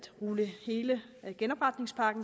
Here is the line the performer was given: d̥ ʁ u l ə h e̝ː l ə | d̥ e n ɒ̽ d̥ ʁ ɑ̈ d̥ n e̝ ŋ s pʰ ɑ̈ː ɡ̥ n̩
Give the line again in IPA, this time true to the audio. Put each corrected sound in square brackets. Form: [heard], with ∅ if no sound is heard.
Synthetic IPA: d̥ ʁ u l ə h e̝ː l ə | [ɡ̥] e n ɒ̽ [b̥] ʁ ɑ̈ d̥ n e̝ ŋ s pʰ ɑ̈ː ɡ̥ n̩

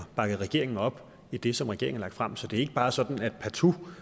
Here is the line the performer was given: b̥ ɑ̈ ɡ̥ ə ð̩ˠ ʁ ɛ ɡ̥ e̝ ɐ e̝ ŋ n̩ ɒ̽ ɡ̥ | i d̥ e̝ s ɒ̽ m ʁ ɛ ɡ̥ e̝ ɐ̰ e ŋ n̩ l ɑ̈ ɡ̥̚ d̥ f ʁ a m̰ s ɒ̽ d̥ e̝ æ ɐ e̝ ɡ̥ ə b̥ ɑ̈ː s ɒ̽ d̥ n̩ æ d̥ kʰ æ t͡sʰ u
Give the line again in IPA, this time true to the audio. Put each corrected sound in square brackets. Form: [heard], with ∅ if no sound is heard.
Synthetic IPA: b̥ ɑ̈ ɡ̥ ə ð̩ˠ ʁ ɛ ɡ̥ e̝ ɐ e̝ ŋ n̩ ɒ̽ [b̥] | i d̥ e̝ s ɒ̽ m ʁ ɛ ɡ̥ e̝ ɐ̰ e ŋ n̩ l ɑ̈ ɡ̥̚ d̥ f ʁ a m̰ s ɒ̽ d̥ e̝ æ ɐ e̝ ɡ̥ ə b̥ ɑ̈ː s ɒ̽ d̥ n̩ æ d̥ [pʰ] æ t͡sʰ u

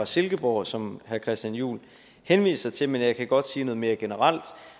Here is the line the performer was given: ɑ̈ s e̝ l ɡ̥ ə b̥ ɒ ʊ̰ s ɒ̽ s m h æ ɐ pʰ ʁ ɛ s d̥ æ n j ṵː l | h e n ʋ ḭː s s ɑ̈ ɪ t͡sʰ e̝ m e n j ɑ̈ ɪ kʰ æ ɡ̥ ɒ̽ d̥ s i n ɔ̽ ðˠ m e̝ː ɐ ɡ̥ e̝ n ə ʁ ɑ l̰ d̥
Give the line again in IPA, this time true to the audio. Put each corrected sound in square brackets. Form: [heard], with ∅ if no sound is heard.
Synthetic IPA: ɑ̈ s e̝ l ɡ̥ ə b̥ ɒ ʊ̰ s ɒ̽ [∅] m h æ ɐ [kʰ] ʁ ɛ s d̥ æ n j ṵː l | h e n ʋ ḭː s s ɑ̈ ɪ t͡sʰ e̝ m e n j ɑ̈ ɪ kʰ æ ɡ̥ ɒ̽ d̥ s [iː] n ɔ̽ ðˠ m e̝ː ɐ ɡ̥ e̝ n ə ʁ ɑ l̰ d̥

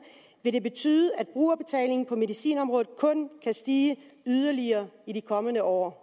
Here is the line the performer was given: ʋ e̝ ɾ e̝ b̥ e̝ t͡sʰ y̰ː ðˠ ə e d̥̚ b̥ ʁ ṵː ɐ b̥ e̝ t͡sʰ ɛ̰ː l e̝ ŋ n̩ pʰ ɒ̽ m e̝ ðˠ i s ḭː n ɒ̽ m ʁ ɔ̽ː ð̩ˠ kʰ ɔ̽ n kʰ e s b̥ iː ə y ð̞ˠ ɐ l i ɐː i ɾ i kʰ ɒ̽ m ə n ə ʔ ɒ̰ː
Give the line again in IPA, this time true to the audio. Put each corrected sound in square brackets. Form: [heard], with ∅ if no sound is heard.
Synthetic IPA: ʋ e̝ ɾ e̝ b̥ e̝ t͡sʰ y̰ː ðˠ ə [æ] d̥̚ b̥ ʁ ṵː ɐ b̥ e̝ t͡sʰ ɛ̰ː l e̝ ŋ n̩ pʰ ɒ̽ m e̝ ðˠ i s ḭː n ɒ̽ m ʁ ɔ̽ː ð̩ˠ kʰ ɔ̽ n kʰ [æ] s [d̥] iː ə y ð̞ˠ ɐ l i ɐː i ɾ i kʰ ɒ̽ m ə n ə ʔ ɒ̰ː

